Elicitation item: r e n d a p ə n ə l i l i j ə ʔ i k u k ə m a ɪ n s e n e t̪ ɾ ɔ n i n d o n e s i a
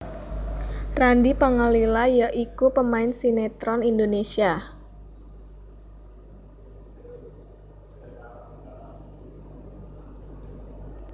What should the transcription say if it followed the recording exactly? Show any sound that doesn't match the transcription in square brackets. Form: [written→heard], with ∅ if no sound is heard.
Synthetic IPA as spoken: r [e→a] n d [a→i] p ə [n→ŋ] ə l i l [i→a] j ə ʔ i k u [k→p] ə m a ɪ n s [e→i] n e t̪ ɾ ɔ n i n d o n e s i a

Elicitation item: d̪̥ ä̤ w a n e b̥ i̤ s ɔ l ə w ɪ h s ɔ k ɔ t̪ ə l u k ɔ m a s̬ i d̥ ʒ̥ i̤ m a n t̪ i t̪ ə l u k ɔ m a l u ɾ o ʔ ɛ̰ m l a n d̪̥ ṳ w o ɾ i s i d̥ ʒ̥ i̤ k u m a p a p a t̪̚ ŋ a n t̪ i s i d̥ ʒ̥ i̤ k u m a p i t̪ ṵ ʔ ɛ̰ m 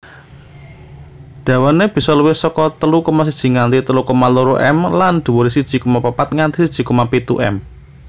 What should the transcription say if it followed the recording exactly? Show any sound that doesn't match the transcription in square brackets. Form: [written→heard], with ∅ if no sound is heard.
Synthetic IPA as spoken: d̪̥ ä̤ w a n e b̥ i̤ s ɔ l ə w ɪ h s ɔ k ɔ t̪ ə l u k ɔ m a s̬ i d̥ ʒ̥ i̤ [m→ŋ] a n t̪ i t̪ ə l u k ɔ m a l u ɾ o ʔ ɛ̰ m l a n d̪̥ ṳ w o ɾ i s i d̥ ʒ̥ i̤ k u m a p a p a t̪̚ ŋ a n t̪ i s i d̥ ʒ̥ i̤ k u m a p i t̪ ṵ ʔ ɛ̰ m

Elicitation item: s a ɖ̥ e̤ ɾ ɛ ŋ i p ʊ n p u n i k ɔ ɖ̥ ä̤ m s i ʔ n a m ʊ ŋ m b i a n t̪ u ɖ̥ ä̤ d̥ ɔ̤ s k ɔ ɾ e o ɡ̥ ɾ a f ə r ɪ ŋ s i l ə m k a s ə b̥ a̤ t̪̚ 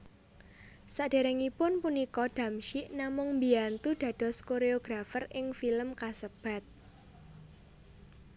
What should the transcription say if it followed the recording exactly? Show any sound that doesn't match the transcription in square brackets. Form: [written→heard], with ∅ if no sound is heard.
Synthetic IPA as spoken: s a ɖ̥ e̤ ɾ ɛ ŋ i p ʊ n p u n i k ɔ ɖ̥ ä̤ m [s→ʃ] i ʔ n a m ʊ ŋ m b i a n t̪ u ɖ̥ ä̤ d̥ ɔ̤ s k [ɔ→o] ɾ e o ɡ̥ ɾ a f ə r ɪ ŋ [s→f] i l ə m k a s ə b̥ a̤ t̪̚

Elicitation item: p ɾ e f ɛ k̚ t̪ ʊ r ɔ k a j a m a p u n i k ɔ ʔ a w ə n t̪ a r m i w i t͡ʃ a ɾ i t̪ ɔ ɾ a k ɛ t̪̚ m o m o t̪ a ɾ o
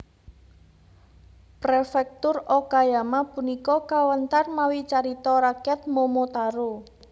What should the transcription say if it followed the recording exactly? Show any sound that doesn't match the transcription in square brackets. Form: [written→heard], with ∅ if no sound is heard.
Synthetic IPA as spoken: p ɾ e f ɛ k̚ t̪ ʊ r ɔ k a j a m a p u n i k ɔ [ʔ→k] a w ə n t̪ a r m [i→a] w i t͡ʃ a ɾ i t̪ ɔ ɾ a k ɛ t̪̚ m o m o t̪ a ɾ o

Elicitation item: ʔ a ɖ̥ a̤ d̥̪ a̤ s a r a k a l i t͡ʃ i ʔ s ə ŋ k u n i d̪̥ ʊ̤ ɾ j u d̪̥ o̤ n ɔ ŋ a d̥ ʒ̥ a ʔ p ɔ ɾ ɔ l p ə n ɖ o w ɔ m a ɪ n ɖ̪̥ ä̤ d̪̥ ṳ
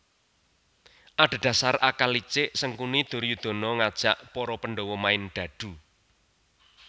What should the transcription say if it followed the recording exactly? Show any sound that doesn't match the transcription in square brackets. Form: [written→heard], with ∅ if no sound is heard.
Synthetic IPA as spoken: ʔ a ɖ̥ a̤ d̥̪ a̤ s a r a k a l i t͡ʃ [i→ɪ] ʔ s ə ŋ k u n i d̪̥ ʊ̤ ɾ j u d̪̥ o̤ n ɔ ŋ a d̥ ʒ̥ a ʔ p ɔ ɾ ɔ [l→∅] p ə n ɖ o w ɔ m a ɪ n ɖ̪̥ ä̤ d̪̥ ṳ

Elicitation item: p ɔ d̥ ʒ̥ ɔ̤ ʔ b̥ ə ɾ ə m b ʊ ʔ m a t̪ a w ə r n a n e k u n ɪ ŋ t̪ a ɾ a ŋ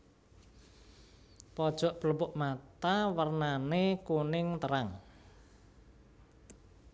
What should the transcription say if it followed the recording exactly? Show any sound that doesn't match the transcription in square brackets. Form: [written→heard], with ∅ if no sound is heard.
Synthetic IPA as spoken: p ɔ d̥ ʒ̥ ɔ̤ ʔ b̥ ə [ɾ→l] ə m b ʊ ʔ m a t̪ a w ə r n a n e k u n ɪ ŋ t̪ [a→ə] ɾ a ŋ

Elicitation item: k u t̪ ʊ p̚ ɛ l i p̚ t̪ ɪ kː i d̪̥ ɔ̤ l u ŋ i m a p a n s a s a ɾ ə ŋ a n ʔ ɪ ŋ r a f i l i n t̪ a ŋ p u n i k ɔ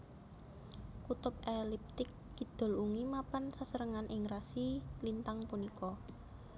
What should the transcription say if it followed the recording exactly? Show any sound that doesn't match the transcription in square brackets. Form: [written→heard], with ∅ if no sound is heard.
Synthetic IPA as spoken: k u t̪ ʊ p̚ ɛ l i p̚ t̪ ɪ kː i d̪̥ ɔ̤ l u ŋ i m a p a n s a s [a→ə] ɾ ə ŋ a n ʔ ɪ ŋ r a [f→s] i l i n t̪ a ŋ p u n i k ɔ

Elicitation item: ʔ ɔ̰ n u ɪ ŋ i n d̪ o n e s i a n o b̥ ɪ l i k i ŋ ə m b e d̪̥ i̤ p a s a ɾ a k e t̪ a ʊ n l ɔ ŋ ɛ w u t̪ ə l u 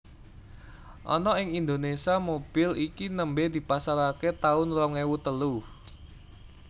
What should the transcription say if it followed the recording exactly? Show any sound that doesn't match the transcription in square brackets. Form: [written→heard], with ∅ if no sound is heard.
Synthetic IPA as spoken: ʔ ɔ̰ n [u→ɔ] ɪ ŋ i n d̪ o n e s i a [n→m] o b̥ ɪ l i k i [ŋ→n] ə m b e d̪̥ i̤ p a s a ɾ a k e t̪ a ʊ n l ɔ ŋ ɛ w u t̪ ə l u

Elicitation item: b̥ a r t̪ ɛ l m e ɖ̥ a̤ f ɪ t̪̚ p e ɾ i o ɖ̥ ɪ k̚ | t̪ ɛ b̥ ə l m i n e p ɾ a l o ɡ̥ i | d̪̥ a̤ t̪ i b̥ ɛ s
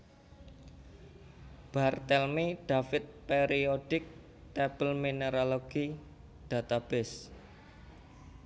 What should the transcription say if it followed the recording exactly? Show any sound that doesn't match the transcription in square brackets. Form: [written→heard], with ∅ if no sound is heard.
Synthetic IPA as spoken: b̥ a r t̪ ɛ l m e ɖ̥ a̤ f ɪ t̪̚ p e ɾ i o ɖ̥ ɪ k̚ | t̪ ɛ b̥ ə l m i n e [p→∅] ɾ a l o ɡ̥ i | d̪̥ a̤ t̪ [i→a] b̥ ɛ s

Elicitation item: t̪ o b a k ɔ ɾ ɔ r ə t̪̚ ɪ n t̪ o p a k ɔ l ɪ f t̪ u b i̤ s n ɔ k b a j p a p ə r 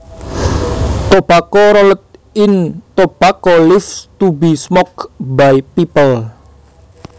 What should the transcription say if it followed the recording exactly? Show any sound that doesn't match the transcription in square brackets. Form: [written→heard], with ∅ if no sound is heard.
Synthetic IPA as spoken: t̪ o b a k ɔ ɾ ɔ [r→l] ə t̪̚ ɪ n t̪ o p a k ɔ l ɪ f t̪ u b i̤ s [n→m] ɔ k b a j p [a→i] p ə [r→l]

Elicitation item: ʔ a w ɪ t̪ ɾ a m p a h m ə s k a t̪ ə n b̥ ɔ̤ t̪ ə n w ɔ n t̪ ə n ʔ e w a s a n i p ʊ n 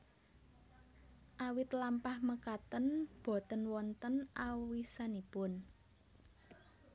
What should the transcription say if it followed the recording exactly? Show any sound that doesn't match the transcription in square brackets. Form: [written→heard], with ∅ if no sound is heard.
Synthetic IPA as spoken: ʔ a w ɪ t̪ [ɾ→l] a m p a h m ə [s→∅] k a t̪ ə n b̥ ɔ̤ t̪ ə n w ɔ n t̪ ə n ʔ [e→a] w [a→i] s a n i p ʊ n

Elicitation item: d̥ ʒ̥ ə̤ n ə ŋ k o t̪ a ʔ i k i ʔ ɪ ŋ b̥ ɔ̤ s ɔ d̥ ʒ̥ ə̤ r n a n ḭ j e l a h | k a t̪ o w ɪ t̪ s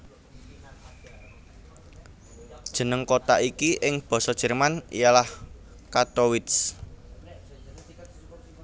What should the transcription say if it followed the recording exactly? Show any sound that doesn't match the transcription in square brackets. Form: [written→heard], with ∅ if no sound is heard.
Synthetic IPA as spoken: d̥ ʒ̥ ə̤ n ə ŋ k o t̪ a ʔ i k i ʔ ɪ ŋ b̥ ɔ̤ s ɔ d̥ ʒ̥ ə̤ r [n→m] a n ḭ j [e→a] l a h | k a t̪ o w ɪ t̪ s

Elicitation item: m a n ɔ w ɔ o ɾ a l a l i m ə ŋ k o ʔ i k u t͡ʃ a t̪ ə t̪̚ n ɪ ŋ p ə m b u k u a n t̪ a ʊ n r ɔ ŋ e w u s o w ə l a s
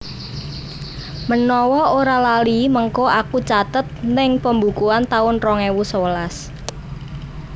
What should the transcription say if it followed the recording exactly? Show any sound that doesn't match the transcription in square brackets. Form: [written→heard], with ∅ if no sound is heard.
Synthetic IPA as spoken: m [a→ə] n ɔ w ɔ o ɾ a l a l i m ə ŋ k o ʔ [i→a] k u t͡ʃ a t̪ ə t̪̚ n ɪ ŋ p ə m b u k u a n t̪ a ʊ n r ɔ ŋ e w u s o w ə l a s

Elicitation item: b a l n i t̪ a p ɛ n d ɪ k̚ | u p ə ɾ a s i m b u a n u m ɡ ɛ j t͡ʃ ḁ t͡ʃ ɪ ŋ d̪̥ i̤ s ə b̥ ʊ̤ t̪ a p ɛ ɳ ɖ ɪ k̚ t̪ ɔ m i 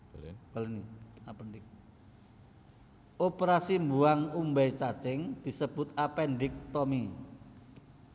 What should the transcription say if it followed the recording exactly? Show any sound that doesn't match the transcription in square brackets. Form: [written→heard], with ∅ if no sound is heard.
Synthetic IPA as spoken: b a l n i [t̪→∅] a p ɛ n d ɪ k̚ | [u→o] p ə ɾ a s i m b u a [n→ŋ] u m [ɡ→b] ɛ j t͡ʃ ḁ t͡ʃ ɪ ŋ d̪̥ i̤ s ə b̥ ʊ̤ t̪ a p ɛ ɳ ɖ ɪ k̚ t̪ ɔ m i

